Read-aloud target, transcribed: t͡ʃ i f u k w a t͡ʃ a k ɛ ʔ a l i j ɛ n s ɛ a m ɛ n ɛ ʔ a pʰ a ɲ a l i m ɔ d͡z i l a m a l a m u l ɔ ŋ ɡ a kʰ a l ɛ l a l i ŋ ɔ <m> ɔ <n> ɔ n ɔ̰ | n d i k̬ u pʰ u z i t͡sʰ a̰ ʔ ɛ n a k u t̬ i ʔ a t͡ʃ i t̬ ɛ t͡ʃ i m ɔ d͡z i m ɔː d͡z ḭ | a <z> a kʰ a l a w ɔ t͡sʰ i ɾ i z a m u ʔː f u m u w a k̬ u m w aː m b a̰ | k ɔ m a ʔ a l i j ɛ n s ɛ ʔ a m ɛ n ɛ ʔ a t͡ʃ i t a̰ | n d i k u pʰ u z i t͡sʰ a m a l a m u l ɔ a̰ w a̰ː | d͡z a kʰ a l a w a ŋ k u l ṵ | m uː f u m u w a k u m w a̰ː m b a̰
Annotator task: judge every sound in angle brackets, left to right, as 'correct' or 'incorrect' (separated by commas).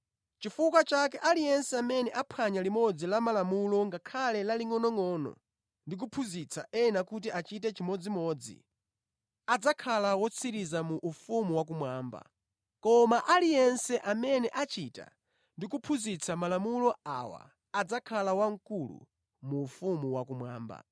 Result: incorrect, incorrect, incorrect